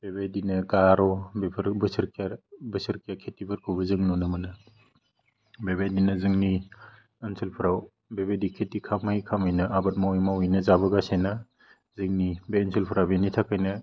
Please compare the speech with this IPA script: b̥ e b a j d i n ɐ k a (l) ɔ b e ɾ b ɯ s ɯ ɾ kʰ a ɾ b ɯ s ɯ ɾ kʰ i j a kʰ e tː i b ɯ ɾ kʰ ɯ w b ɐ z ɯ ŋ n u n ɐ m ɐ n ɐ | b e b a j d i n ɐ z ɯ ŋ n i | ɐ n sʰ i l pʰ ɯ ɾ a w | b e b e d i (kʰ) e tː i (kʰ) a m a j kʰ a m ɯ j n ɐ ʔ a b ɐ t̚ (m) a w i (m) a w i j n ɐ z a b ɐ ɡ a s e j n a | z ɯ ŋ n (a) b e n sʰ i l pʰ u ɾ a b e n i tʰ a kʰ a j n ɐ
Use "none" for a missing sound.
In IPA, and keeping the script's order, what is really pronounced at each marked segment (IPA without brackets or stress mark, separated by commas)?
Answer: ɾ, kʰ, kʰ, m, m, i